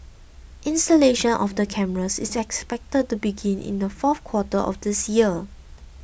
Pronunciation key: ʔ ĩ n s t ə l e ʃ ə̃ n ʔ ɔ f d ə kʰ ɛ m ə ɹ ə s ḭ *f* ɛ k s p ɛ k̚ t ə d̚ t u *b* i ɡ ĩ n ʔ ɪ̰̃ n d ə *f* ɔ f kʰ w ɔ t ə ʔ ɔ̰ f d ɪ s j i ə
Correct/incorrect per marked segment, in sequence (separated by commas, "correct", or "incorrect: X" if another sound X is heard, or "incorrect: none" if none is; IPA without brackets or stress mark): incorrect: s, correct, correct